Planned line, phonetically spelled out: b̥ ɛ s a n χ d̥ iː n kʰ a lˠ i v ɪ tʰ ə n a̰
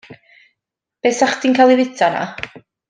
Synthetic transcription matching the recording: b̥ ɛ s a χ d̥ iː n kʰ a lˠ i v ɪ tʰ a n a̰